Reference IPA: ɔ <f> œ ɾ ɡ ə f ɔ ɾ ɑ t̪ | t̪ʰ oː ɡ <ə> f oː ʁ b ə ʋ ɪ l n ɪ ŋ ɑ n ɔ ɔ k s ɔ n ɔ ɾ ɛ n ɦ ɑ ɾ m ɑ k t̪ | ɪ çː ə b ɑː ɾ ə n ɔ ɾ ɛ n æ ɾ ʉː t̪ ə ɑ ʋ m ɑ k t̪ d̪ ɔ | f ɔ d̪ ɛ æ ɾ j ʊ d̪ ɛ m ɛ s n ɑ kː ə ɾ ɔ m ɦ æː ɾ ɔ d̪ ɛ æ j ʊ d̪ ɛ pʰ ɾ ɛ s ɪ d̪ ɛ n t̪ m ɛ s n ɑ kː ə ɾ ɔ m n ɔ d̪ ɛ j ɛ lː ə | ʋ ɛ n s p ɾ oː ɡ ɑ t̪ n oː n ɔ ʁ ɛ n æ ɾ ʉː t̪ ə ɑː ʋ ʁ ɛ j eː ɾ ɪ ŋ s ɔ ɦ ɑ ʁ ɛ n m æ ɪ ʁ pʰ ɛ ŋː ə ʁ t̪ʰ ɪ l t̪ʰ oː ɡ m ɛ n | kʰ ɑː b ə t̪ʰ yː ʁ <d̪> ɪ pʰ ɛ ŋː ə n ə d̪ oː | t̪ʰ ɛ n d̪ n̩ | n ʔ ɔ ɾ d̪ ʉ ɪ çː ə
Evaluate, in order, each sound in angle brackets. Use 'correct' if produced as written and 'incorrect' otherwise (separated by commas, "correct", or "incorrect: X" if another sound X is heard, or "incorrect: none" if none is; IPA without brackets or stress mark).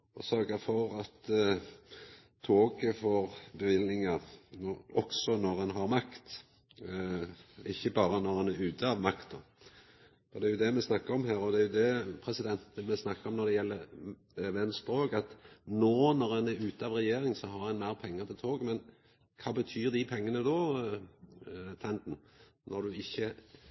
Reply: incorrect: s, correct, correct